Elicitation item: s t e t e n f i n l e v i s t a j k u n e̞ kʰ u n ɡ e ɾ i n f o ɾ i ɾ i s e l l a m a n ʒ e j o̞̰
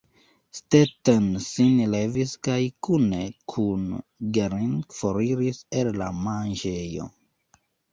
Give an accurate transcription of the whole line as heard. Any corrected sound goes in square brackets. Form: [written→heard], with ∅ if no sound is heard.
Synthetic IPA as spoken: s t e t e n [f→s] i n l e v i s [t→k] a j k u n e̞ kʰ u n ɡ e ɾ i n f o ɾ i ɾ i s e l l a m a n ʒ e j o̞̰